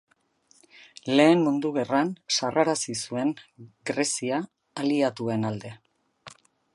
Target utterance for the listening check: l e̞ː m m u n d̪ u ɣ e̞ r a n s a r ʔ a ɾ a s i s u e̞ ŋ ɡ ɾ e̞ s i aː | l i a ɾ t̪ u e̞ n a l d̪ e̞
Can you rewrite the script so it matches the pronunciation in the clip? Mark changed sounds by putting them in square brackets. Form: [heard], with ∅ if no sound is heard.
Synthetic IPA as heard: l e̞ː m m u n d̪ u ɣ e̞ r a n s a r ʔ a ɾ a s i s u e̞ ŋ ɡ ɾ e̞ s i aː | l i a [∅] t̪ u e̞ n a l d̪ e̞